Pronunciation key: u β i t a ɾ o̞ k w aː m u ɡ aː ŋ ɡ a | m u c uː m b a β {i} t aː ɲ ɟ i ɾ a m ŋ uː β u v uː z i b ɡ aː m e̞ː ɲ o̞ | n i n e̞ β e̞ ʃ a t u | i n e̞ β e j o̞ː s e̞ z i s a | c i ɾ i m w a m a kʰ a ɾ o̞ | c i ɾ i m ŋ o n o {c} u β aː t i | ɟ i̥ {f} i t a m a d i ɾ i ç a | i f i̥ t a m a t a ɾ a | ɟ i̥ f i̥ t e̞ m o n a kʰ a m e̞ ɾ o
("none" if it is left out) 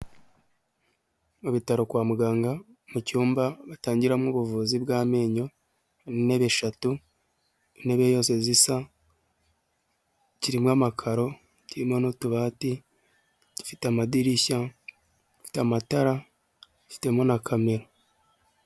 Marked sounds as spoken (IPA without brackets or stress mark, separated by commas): a, t, f